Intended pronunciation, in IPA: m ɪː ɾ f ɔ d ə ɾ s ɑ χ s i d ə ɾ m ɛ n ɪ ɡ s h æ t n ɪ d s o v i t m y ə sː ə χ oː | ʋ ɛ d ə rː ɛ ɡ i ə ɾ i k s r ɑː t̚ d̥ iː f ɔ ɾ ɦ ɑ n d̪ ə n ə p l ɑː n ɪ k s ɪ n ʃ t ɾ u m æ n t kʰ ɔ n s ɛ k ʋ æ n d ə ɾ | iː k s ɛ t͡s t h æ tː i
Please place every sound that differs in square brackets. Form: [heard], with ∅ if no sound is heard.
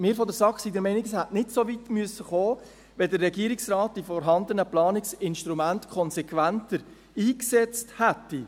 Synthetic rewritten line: m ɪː ɾ f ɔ d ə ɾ s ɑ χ s i d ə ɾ m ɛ n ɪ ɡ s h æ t n ɪ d s o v i t m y ə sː ə χ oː | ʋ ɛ d ə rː ɛ ɡ i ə ɾ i k s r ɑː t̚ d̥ [i] f ɔ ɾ ɦ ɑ n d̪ ə n ə p l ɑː n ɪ k s ɪ n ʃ t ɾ u m æ n t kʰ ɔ n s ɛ k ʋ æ n [t] ə ɾ | iː k s ɛ t͡s t h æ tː i